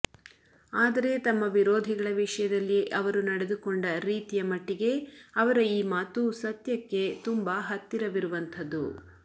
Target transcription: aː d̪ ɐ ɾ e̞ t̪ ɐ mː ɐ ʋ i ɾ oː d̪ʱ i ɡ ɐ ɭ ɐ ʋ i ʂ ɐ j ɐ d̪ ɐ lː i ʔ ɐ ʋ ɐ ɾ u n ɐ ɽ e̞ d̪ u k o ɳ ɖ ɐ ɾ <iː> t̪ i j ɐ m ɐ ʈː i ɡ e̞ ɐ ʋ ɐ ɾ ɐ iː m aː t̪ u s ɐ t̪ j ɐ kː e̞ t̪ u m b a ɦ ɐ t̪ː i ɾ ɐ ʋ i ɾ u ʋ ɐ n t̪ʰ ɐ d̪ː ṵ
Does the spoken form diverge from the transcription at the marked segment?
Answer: no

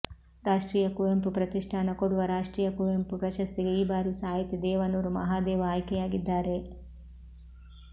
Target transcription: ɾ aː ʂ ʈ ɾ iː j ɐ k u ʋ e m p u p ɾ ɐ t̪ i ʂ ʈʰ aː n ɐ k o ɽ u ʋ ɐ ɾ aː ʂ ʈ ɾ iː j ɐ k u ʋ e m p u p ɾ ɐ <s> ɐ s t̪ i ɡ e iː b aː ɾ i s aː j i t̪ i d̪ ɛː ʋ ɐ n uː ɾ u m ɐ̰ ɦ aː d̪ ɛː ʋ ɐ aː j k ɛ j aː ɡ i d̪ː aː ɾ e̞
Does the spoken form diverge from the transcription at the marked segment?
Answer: yes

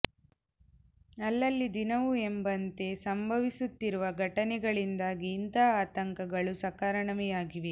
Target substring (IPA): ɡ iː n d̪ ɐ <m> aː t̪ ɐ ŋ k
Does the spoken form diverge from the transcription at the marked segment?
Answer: yes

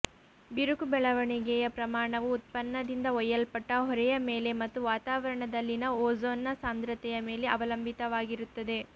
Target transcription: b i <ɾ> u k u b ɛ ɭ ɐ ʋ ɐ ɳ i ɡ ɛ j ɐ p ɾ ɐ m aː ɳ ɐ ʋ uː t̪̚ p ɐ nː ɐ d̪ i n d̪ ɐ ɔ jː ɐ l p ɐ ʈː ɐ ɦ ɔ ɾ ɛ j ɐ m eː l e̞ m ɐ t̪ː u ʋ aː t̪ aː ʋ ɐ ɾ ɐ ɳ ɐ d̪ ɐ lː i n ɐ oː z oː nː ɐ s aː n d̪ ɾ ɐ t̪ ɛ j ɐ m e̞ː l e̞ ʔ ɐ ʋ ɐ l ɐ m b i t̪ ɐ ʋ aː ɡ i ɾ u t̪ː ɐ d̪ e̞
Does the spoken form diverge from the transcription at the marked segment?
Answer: no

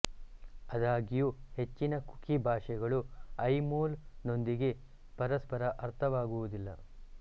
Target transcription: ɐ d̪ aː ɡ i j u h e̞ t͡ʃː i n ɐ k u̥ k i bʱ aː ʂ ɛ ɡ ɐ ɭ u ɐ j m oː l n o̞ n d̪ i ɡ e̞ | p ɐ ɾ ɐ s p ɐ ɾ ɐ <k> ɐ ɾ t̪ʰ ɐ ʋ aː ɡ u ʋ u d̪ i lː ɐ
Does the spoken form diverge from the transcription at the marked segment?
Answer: yes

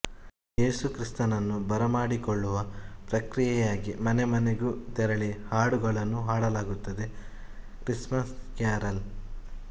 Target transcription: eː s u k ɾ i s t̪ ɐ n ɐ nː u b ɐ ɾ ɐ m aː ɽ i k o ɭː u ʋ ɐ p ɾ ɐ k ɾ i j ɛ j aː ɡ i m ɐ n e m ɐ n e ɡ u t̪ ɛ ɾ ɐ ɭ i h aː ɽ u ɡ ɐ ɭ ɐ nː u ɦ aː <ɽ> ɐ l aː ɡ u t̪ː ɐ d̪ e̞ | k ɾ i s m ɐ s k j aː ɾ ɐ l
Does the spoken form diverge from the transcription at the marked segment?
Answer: no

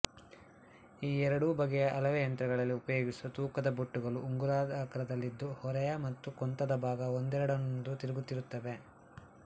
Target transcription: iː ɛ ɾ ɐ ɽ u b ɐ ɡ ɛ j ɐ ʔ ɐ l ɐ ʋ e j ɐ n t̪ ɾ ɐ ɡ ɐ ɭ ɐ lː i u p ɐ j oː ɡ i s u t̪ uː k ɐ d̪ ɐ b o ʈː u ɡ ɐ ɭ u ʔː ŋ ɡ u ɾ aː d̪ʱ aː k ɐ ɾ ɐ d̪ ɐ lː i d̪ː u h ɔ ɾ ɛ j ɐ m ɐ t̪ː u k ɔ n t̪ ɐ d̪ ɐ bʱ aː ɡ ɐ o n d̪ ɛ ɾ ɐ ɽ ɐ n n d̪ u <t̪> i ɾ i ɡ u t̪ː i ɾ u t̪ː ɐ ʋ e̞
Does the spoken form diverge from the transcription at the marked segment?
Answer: no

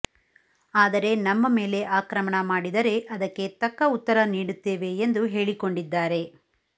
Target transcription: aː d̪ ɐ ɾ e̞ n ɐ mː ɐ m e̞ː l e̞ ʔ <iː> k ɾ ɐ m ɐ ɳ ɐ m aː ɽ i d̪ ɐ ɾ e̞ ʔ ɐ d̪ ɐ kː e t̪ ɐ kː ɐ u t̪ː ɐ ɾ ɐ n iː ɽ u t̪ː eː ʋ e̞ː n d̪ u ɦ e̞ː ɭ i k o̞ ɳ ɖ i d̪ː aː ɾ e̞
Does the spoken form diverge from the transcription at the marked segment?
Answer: yes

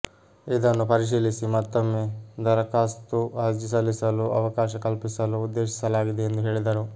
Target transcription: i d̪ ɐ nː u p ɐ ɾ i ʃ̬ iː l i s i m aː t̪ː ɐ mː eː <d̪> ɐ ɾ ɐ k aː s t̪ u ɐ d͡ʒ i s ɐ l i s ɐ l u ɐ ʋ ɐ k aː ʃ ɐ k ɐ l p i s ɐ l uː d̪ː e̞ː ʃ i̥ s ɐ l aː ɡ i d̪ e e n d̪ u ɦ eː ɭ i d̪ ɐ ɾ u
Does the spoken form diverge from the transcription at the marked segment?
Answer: no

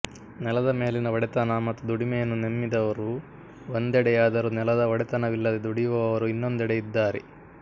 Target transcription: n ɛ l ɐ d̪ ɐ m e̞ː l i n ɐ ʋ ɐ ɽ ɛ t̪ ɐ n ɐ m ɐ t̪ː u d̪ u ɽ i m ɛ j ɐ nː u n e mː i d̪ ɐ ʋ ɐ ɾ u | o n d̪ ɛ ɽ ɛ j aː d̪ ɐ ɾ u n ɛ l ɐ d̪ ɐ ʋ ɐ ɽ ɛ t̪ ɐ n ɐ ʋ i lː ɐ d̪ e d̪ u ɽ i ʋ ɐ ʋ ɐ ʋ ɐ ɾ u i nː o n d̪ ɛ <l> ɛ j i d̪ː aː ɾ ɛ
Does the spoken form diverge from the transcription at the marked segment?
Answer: yes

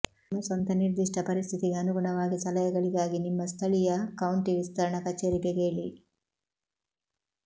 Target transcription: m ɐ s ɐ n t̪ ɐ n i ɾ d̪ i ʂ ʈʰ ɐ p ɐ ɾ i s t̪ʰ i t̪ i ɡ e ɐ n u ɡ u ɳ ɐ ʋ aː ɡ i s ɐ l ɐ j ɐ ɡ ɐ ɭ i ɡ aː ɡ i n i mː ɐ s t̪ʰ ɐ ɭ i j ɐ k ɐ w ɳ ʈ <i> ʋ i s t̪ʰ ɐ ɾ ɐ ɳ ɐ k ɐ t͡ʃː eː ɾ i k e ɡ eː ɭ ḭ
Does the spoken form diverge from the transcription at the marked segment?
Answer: no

